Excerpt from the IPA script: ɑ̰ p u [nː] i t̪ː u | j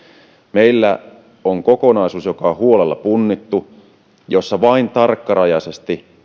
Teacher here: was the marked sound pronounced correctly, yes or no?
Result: yes